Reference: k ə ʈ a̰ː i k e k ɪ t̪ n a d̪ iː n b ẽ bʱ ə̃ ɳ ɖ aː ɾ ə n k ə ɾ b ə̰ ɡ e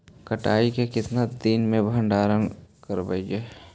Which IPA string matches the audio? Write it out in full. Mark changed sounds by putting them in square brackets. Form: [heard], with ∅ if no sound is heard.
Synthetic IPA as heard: k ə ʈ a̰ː i k e k ɪ t̪ n a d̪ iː n [m] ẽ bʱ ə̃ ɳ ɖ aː ɾ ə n k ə ɾ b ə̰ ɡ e